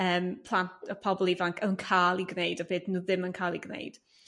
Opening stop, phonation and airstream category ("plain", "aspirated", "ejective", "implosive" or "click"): aspirated